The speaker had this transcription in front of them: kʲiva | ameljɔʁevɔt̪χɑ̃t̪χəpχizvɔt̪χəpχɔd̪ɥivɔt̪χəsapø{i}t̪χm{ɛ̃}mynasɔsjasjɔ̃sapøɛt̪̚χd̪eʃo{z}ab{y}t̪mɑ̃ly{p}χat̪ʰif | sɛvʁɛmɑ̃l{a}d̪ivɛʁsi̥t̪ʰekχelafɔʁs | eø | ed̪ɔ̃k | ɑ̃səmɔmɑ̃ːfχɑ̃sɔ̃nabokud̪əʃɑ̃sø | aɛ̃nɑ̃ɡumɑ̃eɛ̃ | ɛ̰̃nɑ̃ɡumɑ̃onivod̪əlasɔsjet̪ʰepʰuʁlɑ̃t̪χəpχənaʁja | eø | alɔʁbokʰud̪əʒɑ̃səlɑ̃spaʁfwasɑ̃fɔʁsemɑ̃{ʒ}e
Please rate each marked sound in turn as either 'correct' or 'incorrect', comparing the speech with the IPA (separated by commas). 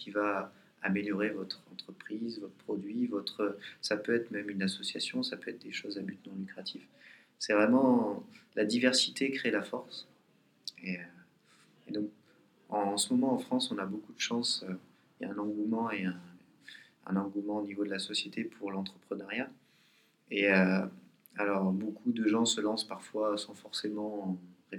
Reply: incorrect, incorrect, correct, correct, incorrect, correct, incorrect